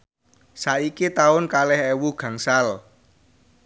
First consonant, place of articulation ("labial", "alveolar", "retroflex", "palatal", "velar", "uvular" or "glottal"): alveolar